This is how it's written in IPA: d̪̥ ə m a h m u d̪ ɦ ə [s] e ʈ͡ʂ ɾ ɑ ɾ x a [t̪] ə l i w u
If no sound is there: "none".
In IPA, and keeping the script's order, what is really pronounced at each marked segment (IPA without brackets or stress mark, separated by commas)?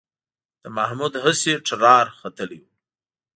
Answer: s, t̪